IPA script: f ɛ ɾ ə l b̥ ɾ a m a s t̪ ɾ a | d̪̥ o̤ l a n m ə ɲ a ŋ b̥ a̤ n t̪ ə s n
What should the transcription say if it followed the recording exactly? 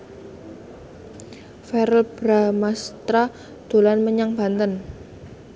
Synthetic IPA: f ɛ ɾ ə l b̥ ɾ a m a s t̪ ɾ a | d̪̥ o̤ l a n m ə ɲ a ŋ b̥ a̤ n t̪ ə n